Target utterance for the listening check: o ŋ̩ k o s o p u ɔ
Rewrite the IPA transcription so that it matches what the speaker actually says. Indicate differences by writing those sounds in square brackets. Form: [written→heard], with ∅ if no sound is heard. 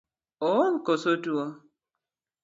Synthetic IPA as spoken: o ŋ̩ k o s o [p→t] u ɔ